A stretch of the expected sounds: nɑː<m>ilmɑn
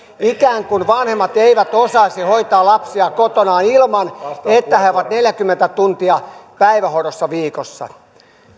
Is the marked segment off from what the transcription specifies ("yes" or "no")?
yes